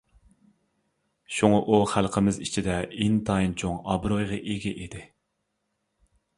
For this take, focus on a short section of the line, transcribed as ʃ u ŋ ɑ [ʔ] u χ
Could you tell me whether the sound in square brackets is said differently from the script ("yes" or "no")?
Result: no